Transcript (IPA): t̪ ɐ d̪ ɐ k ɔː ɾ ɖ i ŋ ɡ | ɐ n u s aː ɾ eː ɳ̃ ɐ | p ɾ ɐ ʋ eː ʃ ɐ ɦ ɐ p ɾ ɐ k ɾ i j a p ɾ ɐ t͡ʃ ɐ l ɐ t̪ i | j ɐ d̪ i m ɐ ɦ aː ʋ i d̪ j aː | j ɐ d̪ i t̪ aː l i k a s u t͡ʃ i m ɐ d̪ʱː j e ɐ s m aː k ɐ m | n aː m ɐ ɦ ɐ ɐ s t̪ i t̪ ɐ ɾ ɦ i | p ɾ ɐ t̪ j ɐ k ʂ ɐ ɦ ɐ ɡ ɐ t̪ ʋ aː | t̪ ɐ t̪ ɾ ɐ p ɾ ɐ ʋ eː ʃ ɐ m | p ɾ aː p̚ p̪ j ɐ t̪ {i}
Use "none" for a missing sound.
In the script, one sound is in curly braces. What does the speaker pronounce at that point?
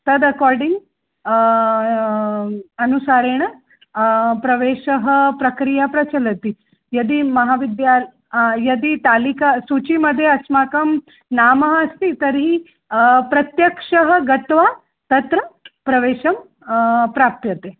e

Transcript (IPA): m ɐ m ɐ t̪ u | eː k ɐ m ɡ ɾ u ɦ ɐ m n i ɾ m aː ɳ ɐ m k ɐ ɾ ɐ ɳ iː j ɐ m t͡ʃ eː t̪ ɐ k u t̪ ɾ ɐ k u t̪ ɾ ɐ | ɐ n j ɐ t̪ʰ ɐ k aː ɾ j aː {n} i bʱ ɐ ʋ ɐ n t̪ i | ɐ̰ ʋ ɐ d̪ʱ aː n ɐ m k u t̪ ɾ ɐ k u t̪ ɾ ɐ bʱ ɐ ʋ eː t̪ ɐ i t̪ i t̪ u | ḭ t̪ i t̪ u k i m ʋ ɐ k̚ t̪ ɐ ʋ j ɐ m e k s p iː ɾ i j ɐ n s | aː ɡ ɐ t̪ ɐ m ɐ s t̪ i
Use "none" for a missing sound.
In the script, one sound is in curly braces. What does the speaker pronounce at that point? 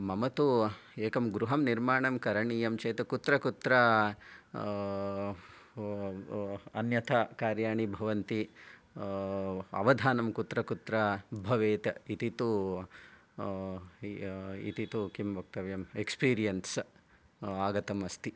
ɳ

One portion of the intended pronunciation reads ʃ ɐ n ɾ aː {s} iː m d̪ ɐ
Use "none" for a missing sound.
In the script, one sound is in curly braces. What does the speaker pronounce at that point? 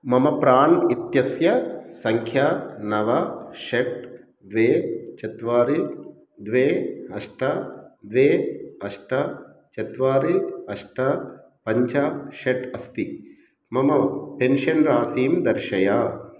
s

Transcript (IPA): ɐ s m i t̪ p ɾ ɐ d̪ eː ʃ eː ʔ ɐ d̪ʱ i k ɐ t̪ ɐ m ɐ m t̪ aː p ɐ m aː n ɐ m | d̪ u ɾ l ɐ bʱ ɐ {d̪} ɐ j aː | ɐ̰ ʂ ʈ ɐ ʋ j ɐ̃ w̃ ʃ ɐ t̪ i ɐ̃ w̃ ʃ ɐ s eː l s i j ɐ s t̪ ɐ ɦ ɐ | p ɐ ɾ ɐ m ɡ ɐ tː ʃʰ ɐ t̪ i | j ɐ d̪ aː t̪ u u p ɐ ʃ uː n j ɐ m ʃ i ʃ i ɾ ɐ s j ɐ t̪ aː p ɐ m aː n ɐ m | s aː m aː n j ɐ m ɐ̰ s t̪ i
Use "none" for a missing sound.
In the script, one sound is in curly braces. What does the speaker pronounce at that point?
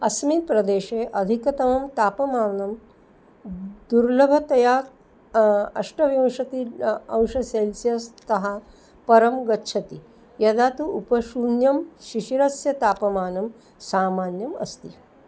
t̪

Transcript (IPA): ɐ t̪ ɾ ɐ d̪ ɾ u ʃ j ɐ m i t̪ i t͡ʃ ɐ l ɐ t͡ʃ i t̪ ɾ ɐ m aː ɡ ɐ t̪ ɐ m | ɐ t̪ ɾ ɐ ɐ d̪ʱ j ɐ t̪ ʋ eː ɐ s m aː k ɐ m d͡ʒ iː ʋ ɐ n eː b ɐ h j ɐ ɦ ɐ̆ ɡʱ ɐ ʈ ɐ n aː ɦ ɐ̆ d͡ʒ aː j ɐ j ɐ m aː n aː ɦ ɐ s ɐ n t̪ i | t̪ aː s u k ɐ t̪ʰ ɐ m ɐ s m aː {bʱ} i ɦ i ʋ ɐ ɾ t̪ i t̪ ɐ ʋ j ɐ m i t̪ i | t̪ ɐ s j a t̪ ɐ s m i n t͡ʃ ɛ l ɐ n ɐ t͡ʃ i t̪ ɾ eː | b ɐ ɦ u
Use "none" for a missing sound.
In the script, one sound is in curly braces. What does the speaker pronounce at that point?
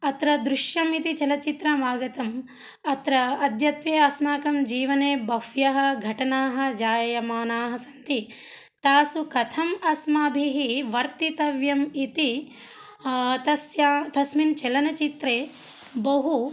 bʱ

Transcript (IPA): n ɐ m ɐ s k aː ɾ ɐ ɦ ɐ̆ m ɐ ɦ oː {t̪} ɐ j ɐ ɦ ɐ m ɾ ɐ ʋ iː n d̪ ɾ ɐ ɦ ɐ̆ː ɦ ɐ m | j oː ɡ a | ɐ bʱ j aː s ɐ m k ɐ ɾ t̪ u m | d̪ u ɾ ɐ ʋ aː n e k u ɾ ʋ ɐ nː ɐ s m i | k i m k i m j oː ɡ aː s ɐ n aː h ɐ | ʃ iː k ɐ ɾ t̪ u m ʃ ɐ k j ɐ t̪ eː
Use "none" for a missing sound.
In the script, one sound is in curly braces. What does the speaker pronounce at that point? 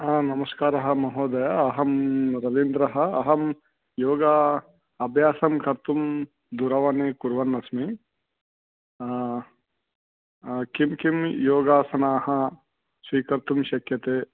d̪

